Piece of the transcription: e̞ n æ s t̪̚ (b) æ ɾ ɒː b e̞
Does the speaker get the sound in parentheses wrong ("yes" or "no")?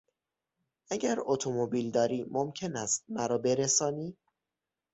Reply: yes